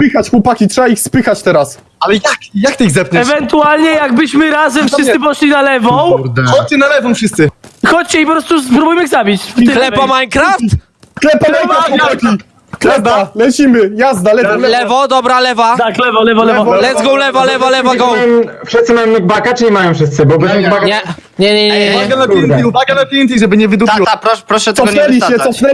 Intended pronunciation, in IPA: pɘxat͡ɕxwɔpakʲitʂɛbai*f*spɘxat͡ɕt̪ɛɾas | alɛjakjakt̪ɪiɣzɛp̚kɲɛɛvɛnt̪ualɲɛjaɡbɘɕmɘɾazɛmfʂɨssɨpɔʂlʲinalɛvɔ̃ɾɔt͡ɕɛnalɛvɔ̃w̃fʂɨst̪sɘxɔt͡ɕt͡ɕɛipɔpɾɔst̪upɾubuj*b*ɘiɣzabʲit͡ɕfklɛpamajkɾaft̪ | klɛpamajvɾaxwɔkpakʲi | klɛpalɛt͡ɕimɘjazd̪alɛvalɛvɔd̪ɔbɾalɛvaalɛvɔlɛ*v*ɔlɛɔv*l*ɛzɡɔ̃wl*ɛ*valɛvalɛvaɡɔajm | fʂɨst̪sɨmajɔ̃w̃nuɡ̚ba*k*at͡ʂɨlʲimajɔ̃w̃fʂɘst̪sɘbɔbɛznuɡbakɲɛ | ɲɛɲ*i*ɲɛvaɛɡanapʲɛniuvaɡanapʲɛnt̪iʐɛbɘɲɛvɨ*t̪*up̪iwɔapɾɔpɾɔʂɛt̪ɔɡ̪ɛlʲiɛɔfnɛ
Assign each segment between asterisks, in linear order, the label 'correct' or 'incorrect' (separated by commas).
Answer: incorrect, incorrect, correct, correct, correct, correct, incorrect, incorrect